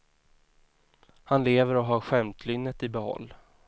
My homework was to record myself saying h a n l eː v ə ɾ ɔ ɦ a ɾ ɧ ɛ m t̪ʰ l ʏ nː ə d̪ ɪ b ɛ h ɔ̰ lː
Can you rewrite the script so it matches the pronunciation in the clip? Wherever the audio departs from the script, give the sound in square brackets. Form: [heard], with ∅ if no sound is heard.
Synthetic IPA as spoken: h a n l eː v ə ɾ ɔ ɦ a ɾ ɧ ɛ m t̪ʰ l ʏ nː ə [t̪] ɪ b ɛ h ɔ̰ lː